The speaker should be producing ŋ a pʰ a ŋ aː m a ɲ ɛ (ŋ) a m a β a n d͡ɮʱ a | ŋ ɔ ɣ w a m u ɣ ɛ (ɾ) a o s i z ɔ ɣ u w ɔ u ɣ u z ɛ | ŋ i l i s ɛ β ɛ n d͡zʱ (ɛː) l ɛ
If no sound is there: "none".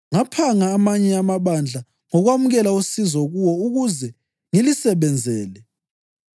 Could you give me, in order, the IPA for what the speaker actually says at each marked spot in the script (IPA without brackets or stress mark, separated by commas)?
none, l, ɛː